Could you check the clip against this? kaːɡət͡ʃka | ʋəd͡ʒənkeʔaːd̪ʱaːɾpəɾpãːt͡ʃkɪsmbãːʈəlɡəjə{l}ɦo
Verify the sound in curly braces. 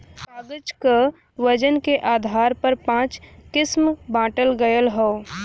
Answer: correct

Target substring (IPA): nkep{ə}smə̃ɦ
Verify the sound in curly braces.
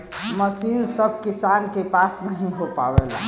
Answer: incorrect: a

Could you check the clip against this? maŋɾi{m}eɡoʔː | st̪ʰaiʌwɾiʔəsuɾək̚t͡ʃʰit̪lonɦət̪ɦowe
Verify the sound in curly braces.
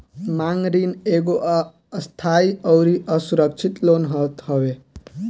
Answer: incorrect: n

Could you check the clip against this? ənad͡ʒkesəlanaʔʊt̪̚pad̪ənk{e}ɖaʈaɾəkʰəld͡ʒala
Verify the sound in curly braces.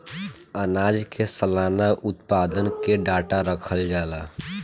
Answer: correct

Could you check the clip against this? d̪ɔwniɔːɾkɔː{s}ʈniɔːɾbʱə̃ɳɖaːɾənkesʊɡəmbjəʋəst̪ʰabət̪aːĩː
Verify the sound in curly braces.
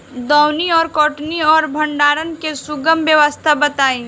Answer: incorrect: none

